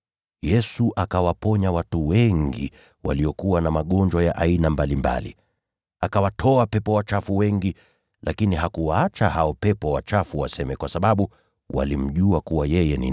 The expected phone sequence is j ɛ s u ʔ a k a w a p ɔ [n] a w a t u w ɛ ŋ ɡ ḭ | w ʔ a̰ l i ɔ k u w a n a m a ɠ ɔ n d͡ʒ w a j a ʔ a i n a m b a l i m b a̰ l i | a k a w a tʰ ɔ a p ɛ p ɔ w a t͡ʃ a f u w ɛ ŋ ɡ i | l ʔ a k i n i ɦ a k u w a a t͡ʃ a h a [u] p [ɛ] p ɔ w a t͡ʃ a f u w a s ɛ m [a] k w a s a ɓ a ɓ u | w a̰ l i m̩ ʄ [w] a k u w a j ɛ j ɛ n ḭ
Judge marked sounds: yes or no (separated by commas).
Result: no, no, yes, no, no